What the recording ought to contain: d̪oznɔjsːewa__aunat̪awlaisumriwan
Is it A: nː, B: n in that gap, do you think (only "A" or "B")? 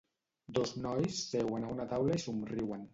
B